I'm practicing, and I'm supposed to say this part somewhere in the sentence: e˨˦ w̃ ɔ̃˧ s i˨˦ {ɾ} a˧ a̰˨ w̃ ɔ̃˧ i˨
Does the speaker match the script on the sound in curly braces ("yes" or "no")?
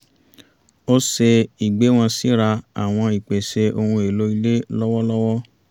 yes